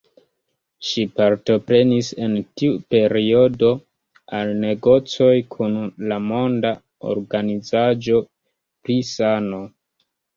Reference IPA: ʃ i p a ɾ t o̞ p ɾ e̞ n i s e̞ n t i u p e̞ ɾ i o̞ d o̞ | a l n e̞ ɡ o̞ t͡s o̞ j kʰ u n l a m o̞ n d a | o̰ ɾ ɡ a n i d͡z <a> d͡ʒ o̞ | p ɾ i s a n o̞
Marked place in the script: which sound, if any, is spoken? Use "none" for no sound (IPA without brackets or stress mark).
a